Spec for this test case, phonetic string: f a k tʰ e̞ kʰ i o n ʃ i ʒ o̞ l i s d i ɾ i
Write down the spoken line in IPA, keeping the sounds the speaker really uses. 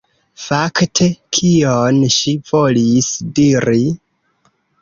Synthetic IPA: f a k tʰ e̞ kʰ i o n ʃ i v o̞ l i s d i ɾ i

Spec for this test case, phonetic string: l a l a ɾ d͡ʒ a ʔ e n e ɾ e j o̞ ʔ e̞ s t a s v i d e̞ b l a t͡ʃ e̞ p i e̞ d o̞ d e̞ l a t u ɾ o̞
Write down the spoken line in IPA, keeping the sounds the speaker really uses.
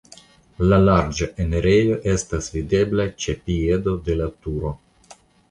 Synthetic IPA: l a l a ɾ d͡ʒ a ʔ e n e ɾ e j o̞ ʔ e̞ s t a s v i d e̞ b l a t͡ʃ e̞ p i e̞ d o̞ d e̞ l a t u ɾ o̞

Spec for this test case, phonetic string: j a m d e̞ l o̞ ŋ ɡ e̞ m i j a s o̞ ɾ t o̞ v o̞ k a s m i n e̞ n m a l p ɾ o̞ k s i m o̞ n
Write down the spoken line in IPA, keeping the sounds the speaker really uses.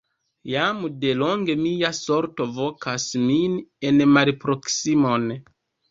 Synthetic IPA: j a m d e̞ l o̞ ŋ ɡ e̞ m i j a s o̞ ɾ t o̞ v o̞ k a s m i n e̞ n m a l p ɾ o̞ k s i m o̞ n

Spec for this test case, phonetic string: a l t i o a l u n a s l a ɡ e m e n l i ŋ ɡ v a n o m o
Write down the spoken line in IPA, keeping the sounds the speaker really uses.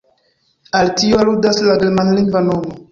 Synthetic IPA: a l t i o a l u d a s l a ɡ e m a n l i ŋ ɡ v a n o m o

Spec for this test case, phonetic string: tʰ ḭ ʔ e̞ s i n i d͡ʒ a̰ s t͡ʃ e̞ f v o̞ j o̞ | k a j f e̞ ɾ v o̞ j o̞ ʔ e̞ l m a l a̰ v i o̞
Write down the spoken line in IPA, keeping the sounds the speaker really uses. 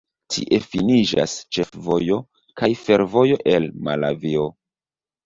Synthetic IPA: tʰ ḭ ʔ e̞ f i n i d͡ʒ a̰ s t͡ʃ e̞ f v o̞ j o̞ | k a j f e̞ ɾ v o̞ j o̞ ʔ e̞ l m a l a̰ v i o̞

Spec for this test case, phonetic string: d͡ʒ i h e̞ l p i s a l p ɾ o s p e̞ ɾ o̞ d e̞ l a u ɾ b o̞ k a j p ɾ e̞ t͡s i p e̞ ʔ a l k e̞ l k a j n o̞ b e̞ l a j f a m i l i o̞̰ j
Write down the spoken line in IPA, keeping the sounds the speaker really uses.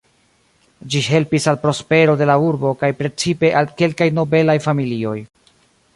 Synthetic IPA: d͡ʒ i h e̞ l p i s a l p ɾ o s p e̞ ɾ o̞ d e̞ l a u ɾ b o̞ k a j p ɾ e̞ t͡s i p e̞ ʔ a l k e̞ l k a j n o̞ b e̞ l a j f a m i l i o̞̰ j

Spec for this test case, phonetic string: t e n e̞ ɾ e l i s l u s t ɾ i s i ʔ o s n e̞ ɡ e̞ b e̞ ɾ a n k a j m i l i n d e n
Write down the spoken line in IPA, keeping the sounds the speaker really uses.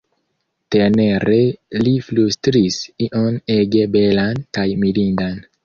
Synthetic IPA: t e n e̞ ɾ e l i f l u s t ɾ i s i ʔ o n e̞ ɡ e̞ b e̞ l a n k a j m i l i n d a n

